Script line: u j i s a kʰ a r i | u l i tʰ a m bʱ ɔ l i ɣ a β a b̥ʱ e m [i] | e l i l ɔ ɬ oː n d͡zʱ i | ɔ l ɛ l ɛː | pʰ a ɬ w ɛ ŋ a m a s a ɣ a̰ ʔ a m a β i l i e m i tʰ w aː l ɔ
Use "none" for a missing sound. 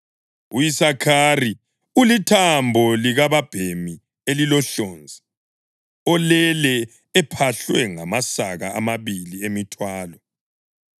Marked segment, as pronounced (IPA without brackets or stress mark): i